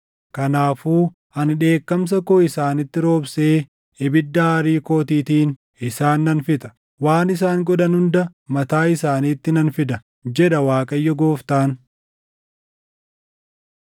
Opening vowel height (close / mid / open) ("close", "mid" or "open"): open